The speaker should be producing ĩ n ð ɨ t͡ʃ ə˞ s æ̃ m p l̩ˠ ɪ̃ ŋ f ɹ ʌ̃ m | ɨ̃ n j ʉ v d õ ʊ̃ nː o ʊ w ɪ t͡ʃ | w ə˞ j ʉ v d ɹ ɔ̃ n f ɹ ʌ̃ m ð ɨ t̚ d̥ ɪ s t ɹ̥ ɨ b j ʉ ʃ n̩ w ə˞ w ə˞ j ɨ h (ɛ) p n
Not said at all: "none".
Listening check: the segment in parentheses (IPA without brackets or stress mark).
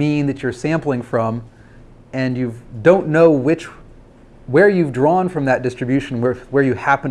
æ